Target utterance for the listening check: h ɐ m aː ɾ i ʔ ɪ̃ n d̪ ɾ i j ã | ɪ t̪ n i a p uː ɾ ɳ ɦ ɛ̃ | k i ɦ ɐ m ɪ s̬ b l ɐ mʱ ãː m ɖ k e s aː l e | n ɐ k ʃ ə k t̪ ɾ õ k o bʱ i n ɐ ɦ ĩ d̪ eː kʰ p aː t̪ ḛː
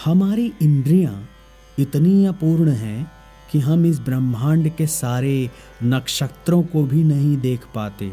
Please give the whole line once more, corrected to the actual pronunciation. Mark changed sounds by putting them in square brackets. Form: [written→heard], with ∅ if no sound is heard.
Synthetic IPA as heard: h ɐ m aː ɾ i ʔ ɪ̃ n d̪ ɾ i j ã | ɪ t̪ n i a p uː ɾ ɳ ɦ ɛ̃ | k i ɦ ɐ m ɪ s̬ b [l→ɾ] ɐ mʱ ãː [m→ɳ] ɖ k e s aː [l→ɾ] e | n ɐ k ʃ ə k t̪ ɾ õ k o bʱ i n ɐ ɦ ĩ d̪ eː kʰ p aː t̪ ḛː